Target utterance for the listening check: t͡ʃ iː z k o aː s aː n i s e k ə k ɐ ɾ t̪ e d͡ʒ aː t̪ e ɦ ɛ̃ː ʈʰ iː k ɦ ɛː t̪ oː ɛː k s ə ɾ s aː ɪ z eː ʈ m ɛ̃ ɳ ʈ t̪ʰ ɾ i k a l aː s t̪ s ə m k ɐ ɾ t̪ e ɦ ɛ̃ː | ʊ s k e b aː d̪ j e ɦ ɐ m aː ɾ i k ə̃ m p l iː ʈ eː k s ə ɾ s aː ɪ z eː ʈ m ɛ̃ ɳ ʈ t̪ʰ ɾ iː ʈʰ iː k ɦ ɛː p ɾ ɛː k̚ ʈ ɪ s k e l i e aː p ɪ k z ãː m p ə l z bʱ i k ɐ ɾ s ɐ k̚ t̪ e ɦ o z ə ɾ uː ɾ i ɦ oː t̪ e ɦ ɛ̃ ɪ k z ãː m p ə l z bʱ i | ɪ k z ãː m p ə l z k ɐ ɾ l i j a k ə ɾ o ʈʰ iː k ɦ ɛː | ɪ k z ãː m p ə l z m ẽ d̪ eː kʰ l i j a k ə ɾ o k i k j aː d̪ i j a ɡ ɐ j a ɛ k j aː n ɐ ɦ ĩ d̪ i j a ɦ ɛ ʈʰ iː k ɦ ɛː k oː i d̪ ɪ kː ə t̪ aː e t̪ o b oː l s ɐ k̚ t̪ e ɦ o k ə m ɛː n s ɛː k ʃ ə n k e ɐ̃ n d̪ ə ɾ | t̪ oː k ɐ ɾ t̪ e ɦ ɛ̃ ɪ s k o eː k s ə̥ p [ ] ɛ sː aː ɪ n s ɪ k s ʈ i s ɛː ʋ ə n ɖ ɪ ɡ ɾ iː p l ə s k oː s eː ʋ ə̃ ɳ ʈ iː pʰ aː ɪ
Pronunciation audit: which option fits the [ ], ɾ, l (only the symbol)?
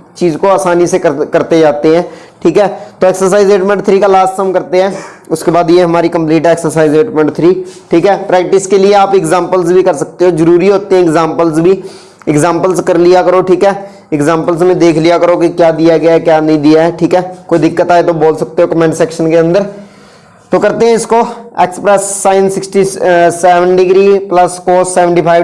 ɾ